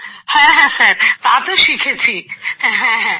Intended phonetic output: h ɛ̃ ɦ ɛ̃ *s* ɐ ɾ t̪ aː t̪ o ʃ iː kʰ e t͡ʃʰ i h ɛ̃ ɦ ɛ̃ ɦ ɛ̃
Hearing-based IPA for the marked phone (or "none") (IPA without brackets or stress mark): s